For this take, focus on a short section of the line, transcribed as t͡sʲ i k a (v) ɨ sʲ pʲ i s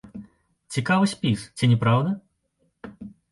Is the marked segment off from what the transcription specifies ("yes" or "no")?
no